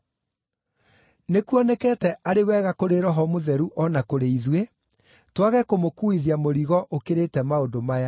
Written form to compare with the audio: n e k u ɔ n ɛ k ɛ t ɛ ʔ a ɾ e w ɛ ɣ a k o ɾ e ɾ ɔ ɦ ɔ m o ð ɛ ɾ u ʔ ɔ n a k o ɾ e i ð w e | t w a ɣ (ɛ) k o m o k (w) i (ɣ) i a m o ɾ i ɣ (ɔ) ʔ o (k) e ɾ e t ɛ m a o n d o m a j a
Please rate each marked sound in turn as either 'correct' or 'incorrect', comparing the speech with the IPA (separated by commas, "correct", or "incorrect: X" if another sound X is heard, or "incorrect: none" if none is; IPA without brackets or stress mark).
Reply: correct, incorrect: u, incorrect: ð, correct, correct